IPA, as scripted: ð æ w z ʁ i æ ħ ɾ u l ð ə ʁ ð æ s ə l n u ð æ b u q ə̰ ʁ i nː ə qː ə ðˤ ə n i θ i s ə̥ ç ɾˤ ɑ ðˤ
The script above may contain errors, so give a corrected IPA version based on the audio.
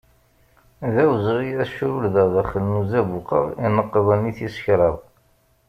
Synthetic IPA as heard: ð æ w z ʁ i æ ʃ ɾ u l ð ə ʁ ð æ χ ə l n u z æ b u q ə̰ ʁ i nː ə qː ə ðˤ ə n i θ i s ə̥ ç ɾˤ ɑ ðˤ

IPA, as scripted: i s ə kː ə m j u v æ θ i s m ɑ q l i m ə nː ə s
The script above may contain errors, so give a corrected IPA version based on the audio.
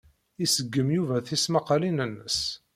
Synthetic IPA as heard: i s ə ɡː ə m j u v æ θ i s m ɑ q l i n ə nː ə s

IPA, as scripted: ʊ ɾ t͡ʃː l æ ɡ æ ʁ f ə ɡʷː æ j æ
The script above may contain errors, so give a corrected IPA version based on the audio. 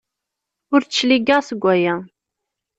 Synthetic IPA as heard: ʊ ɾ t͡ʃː l i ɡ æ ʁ s ə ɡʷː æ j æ

